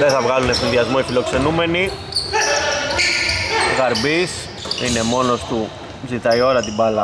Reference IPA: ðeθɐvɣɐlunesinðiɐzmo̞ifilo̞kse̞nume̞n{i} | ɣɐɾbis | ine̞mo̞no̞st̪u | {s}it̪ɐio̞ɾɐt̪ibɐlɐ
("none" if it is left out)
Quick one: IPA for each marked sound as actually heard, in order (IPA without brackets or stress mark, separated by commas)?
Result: i, z